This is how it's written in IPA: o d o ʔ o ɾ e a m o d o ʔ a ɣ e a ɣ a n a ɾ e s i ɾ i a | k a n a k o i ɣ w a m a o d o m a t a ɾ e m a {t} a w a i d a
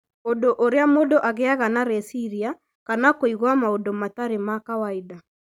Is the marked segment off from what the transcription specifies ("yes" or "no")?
yes